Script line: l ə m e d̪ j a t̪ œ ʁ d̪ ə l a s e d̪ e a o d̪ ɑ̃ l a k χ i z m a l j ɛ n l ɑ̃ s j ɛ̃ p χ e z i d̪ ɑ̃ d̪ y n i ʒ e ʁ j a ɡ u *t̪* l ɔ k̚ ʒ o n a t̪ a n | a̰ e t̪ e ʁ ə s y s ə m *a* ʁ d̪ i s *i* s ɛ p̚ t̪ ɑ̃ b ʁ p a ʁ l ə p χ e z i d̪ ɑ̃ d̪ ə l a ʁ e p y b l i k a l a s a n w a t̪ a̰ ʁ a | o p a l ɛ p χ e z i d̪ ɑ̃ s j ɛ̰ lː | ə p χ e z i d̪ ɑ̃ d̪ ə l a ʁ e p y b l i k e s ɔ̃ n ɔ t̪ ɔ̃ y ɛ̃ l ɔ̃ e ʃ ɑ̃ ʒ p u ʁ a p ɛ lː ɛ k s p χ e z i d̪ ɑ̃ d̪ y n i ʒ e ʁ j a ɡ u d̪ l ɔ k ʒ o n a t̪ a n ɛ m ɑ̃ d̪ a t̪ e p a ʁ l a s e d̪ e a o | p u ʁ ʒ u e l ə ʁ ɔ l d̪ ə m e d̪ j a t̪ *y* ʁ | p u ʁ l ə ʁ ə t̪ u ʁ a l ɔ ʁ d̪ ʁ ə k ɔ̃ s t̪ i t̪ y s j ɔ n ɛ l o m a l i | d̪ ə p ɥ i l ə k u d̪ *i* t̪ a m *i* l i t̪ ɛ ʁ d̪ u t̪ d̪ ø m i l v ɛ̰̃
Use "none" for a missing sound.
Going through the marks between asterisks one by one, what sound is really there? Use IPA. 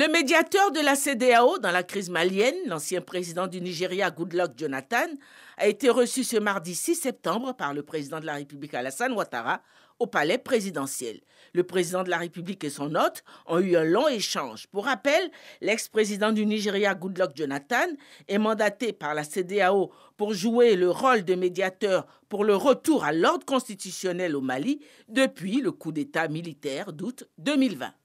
d̪, a, i, œ, e, i

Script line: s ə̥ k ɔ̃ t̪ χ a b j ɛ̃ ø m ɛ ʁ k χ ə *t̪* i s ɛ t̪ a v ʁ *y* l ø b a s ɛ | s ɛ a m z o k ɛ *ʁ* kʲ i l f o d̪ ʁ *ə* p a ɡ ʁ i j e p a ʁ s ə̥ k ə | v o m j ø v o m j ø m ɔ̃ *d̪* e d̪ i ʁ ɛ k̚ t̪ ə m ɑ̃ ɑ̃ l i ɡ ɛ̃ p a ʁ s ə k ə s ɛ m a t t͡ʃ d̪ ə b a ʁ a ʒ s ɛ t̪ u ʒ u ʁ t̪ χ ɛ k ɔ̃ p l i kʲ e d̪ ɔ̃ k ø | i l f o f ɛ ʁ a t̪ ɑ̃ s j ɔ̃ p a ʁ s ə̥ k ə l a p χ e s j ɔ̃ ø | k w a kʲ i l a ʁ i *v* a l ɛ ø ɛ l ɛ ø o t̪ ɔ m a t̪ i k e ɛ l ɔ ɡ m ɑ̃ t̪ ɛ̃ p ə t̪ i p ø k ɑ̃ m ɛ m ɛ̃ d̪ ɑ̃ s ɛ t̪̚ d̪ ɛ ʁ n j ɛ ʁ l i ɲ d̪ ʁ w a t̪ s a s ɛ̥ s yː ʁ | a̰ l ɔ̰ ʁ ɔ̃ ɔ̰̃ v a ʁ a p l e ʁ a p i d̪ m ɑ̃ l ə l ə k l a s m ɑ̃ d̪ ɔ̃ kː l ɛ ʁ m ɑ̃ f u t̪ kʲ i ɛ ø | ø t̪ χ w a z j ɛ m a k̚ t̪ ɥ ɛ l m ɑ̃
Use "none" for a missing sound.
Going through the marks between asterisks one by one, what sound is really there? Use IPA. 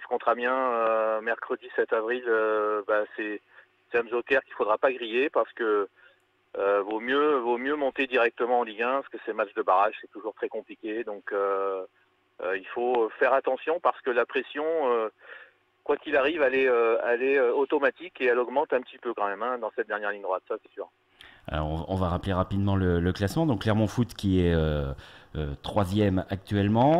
d̪, i, ʁ, a, t̪, v

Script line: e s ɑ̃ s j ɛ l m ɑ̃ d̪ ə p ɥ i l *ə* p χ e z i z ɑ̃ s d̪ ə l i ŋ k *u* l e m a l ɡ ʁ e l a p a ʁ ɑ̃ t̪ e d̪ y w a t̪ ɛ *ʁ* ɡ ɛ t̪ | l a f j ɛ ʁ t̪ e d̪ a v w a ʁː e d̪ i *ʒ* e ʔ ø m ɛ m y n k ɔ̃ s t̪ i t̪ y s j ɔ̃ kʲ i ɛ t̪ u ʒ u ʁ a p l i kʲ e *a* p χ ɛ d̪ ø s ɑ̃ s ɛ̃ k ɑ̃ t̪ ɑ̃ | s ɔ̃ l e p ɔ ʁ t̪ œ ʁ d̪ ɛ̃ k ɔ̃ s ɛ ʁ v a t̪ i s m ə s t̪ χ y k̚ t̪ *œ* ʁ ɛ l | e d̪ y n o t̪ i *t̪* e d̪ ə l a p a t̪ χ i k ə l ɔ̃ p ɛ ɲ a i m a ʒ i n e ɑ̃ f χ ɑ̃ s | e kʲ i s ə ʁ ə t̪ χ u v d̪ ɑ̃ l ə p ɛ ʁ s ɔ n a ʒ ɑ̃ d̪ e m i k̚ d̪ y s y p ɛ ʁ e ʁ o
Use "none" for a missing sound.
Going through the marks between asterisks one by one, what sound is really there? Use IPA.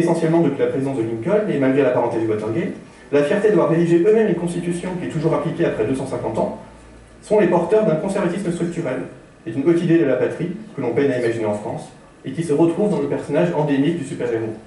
a, ɔ, ʁ, ʒ, a, y, d̪

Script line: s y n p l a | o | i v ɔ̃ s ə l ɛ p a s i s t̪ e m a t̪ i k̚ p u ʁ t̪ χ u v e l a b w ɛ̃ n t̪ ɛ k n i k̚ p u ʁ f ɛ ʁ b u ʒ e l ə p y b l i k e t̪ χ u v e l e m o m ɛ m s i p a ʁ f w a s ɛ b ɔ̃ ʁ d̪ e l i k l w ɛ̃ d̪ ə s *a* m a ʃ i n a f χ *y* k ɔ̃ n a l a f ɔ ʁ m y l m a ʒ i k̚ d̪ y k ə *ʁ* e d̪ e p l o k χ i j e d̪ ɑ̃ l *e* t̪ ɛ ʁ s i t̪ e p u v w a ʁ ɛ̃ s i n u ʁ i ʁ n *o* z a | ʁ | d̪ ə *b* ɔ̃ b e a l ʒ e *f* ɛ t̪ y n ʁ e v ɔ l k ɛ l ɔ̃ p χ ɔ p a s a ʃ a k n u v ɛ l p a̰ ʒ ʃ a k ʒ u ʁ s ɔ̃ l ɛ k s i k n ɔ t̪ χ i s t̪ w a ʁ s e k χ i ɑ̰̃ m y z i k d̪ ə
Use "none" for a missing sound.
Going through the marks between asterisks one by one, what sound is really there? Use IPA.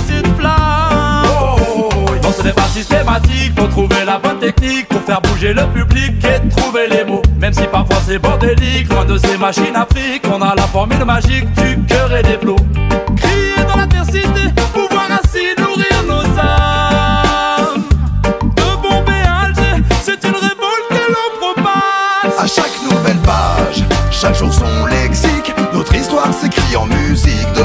e, i, ʁ, a, o, b, s

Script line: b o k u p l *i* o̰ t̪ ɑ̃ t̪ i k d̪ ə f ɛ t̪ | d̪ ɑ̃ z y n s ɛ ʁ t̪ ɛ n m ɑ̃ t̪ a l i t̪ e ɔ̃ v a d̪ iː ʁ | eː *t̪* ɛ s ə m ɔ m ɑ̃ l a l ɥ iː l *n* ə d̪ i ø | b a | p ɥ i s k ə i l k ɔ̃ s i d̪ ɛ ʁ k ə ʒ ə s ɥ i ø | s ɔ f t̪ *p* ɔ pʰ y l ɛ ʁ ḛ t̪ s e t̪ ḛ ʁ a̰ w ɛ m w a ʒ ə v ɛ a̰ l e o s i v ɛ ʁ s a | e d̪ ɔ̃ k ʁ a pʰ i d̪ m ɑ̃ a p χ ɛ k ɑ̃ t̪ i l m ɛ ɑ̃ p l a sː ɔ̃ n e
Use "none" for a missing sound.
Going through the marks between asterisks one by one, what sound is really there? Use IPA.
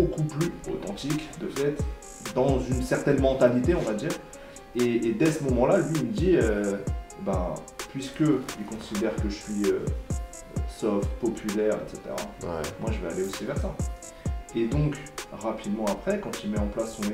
y, d̪, m, p

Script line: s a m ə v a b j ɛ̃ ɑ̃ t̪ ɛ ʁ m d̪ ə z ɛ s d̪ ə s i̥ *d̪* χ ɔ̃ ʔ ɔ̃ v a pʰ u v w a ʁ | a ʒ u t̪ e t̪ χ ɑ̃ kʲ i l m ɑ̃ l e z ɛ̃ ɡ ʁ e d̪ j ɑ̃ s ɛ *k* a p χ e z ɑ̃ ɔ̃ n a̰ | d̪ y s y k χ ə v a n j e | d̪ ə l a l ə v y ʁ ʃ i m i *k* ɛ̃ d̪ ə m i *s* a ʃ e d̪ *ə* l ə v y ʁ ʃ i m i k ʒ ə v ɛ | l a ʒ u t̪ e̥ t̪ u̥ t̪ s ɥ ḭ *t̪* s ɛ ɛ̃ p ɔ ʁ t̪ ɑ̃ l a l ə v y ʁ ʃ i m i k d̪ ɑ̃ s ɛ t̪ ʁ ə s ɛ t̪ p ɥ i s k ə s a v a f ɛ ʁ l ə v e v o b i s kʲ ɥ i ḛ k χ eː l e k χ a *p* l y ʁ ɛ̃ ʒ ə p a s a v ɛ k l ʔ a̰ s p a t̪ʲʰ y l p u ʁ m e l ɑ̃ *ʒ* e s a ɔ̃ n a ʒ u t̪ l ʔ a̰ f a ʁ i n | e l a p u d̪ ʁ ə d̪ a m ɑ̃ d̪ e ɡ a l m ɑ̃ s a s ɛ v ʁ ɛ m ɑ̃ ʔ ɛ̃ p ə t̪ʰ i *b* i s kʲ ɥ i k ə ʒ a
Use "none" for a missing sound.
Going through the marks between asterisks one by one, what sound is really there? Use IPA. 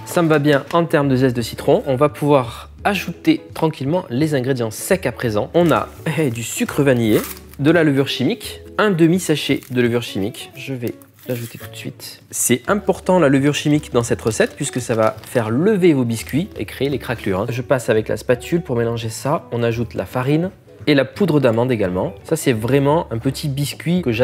t̪, k, k, s, ə, t̪, k, ʒ, b

